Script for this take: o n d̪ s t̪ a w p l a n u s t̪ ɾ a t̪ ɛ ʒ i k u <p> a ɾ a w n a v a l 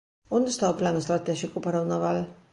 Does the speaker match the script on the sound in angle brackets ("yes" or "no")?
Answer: yes